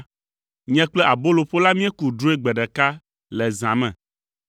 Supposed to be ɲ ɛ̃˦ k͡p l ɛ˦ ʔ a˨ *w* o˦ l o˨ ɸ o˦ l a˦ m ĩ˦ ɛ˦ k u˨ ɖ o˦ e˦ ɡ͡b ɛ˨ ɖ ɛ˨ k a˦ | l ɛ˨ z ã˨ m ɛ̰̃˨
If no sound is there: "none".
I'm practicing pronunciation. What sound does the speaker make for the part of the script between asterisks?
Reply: b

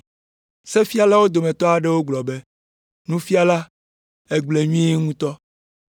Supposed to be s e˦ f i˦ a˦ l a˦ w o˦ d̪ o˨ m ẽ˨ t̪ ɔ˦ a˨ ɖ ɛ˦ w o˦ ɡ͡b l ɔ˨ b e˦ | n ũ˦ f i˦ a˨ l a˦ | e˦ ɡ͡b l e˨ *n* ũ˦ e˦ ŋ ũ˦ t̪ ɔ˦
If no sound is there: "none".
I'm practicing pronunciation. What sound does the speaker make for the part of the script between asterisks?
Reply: ɲ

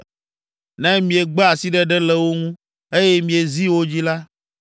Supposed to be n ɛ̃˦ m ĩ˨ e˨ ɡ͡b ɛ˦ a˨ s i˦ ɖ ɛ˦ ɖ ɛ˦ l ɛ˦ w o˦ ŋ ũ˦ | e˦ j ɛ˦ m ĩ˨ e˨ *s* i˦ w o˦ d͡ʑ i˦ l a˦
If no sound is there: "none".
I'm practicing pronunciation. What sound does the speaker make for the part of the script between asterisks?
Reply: z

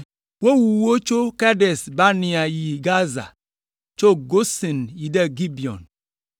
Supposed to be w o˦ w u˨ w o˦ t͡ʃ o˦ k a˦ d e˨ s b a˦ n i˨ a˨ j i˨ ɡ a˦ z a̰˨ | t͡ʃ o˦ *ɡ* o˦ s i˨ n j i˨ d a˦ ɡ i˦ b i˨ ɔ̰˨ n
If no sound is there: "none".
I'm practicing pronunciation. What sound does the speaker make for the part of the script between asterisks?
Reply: ɡ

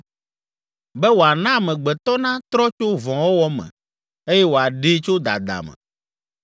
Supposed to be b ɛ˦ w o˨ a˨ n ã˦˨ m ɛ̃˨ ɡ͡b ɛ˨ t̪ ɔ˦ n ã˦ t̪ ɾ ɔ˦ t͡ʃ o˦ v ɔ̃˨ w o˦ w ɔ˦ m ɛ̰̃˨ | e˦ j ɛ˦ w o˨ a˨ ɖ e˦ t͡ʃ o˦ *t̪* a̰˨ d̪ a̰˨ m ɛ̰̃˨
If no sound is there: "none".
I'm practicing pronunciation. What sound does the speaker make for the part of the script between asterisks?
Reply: d̪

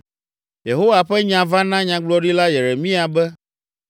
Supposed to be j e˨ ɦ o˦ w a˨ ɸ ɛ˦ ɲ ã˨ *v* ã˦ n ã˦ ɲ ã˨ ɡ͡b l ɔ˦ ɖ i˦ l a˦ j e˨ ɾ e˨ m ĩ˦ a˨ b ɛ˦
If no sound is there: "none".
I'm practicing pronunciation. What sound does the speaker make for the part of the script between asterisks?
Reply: v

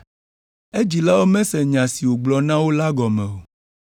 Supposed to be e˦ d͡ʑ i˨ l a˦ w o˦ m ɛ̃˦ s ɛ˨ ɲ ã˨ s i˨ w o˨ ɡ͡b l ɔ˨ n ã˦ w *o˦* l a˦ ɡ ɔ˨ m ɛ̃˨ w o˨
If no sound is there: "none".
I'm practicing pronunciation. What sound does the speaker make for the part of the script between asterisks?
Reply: o˦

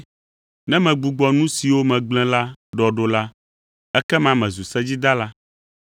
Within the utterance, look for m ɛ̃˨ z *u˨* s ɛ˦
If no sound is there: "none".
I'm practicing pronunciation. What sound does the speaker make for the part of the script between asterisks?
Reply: u˨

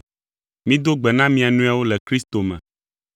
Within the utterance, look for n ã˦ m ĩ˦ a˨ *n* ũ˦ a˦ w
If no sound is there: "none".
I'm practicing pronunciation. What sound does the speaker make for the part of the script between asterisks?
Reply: n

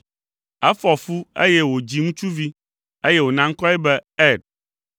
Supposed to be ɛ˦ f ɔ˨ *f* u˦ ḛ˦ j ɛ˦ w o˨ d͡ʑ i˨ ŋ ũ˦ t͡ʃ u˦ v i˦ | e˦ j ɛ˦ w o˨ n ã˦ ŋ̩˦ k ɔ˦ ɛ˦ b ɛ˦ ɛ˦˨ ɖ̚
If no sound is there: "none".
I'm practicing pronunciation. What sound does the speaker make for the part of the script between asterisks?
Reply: f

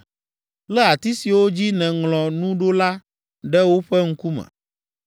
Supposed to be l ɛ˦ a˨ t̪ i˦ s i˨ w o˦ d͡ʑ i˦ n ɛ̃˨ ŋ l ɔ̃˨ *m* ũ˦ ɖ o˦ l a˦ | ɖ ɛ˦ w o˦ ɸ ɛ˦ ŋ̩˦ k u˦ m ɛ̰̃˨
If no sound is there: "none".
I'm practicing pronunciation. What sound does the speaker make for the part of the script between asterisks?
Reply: n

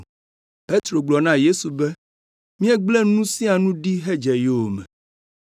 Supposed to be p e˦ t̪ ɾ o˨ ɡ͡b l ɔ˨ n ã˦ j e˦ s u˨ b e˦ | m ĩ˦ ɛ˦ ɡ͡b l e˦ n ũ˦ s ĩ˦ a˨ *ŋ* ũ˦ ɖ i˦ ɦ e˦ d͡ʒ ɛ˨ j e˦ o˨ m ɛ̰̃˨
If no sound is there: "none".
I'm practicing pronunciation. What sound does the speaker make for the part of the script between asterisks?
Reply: n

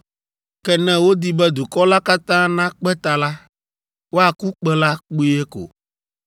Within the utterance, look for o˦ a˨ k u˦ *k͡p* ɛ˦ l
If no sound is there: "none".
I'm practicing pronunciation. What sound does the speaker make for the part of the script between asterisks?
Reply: k͡p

